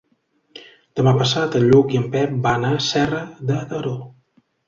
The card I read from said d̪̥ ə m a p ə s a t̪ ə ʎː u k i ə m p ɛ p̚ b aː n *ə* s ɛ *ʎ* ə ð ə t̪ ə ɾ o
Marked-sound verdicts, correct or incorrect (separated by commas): incorrect, incorrect